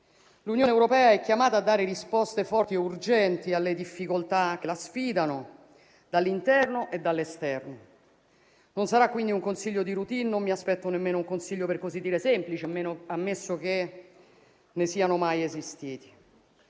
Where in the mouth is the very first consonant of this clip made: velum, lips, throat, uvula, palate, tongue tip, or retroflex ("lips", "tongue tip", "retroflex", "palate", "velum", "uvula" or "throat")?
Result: tongue tip